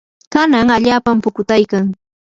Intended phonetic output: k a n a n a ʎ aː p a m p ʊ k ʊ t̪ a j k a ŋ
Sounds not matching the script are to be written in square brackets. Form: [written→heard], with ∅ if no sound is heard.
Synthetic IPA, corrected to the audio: k a n a [n→ŋ] a ʎ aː p a m p ʊ k ʊ t̪ a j k a ŋ